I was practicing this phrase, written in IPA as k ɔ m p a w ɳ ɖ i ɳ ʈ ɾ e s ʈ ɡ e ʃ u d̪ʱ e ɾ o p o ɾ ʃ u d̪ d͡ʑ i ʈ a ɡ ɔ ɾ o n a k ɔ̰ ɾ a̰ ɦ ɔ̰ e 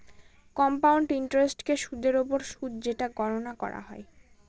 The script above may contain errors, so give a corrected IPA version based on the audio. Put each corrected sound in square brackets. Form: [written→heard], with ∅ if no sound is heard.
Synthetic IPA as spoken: k ɔ m p a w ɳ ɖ i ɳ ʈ ɾ e s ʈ [ɡ→k] e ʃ u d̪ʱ e ɾ o p o ɾ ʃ u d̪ d͡ʑ [i→e] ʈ a ɡ ɔ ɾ o n a k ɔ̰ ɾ a̰ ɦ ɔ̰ e